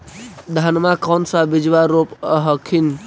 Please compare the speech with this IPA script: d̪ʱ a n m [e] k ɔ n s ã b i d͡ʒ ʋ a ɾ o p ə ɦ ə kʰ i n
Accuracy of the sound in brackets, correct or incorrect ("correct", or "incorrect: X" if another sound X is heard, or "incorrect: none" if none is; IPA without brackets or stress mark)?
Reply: incorrect: a